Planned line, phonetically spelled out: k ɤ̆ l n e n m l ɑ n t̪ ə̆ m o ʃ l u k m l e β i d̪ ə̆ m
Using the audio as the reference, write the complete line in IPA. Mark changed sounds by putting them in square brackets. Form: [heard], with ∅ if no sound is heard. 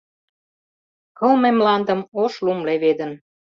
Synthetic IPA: k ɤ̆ l [m] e [∅] m l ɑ n [d̪] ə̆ m o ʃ l u [∅] m l e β [e] d̪ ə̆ [n]